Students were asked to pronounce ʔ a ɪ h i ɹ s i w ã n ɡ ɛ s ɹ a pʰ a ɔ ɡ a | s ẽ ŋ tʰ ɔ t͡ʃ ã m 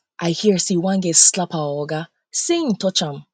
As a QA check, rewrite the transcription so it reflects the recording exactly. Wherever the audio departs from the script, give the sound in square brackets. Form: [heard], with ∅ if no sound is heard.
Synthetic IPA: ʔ a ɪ h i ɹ s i w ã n ɡ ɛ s [l] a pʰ a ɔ ɡ a | s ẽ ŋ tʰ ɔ t͡ʃ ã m